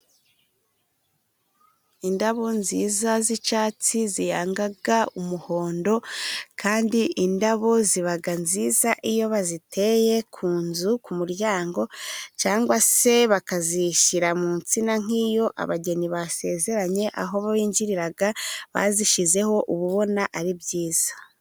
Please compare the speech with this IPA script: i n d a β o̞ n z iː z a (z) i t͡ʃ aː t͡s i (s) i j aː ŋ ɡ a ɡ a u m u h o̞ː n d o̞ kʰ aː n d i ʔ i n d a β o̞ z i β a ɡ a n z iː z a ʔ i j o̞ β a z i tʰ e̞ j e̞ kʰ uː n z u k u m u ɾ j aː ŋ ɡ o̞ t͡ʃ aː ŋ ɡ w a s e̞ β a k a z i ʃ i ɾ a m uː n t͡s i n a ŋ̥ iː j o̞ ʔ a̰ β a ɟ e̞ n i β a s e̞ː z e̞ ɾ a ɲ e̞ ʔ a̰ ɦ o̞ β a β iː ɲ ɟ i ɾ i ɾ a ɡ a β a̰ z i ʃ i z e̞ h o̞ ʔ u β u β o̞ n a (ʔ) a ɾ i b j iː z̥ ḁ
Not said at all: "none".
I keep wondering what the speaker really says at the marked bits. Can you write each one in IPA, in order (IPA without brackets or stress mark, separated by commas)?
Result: z, z, ʔ